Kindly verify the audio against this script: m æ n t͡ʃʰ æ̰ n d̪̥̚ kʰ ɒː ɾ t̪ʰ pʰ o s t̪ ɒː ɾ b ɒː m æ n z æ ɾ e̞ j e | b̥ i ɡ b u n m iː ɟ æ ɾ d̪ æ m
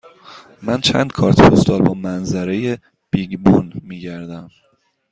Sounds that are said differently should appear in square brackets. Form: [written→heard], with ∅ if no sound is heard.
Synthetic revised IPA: m æ n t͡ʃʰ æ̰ n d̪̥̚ kʰ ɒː ɾ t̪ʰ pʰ o s t̪ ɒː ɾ b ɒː m æ n z æ ɾ e̞ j e | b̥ i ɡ b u n m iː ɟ æ ɾ d̪ æ m